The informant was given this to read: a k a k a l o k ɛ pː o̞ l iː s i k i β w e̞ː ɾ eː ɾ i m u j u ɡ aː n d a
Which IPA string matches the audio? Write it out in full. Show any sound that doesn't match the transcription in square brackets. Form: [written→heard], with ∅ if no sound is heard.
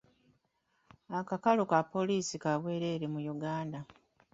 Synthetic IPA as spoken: a k a k a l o k [ɛ→a] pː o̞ l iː s i k [i→a] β w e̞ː ɾ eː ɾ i m u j u ɡ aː n d a